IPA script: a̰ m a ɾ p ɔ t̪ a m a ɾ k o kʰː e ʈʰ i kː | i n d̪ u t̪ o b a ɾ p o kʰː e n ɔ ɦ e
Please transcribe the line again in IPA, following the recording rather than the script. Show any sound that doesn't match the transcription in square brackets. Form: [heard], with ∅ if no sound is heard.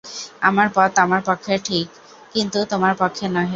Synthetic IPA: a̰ m a ɾ p ɔ t̪ a m a ɾ [p] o kʰː e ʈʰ i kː | i n [t̪] u t̪ o [m] a ɾ p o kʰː e n ɔ ɦ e